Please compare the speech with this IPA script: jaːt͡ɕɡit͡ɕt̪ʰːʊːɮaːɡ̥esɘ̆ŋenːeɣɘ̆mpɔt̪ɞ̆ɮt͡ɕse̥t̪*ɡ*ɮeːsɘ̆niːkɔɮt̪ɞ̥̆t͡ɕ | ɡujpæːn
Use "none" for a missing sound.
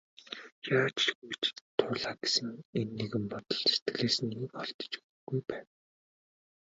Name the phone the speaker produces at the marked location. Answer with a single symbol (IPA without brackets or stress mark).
ɡ